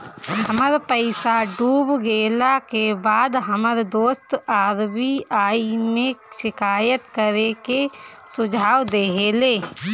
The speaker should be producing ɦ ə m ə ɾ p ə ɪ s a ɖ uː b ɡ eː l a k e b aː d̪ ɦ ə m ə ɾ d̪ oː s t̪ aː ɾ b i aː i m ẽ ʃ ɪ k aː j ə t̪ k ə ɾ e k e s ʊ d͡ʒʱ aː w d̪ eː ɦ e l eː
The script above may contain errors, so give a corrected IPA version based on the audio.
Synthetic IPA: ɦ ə m ə ɾ p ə ɪ s a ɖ uː b ɡ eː l a k e b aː d̪ ɦ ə m ə ɾ d̪ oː s t̪ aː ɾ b i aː i m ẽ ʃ ɪ k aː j ə t̪ k ə ɾ e k e s ʊ d͡ʒʱ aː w d̪ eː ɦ e l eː